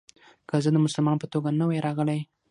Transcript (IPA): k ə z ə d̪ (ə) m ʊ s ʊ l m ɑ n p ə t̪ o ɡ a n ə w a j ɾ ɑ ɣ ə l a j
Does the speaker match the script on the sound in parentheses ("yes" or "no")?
yes